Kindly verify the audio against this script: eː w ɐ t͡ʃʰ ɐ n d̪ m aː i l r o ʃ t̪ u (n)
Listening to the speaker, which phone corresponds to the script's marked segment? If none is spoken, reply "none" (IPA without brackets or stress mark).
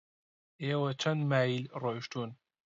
n